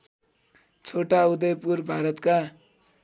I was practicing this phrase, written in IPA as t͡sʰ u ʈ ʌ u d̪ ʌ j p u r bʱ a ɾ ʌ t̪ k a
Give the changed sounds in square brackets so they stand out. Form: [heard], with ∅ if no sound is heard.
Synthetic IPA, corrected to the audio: t͡sʰ [o] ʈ [a] u d̪ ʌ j p u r bʱ a ɾ ʌ t̪ k a